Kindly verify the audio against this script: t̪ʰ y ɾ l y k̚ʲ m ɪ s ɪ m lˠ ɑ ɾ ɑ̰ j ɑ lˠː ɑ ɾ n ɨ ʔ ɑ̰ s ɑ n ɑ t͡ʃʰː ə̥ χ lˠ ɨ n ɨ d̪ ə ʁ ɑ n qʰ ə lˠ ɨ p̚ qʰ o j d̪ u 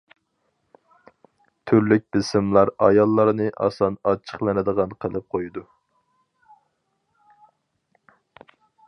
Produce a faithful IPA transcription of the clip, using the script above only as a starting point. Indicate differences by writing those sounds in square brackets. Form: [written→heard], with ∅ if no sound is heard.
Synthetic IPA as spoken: t̪ʰ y ɾ l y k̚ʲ [m→b] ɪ s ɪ m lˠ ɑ ɾ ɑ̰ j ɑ lˠː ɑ ɾ n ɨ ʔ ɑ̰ s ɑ n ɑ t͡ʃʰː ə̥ χ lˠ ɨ n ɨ d̪ ə ʁ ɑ n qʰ ə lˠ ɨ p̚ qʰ o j d̪ u